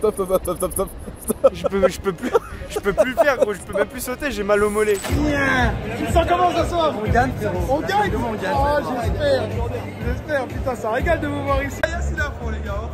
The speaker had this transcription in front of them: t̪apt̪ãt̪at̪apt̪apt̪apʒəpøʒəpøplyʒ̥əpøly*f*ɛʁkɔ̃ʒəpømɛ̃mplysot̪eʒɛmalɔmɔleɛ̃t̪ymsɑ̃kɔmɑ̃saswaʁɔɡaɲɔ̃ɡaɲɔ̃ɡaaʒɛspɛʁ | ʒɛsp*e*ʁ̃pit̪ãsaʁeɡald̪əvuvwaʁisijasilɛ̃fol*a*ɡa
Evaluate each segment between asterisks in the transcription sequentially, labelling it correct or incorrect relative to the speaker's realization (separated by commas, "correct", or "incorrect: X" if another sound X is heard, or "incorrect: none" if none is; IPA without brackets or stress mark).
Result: correct, incorrect: ɛ, incorrect: e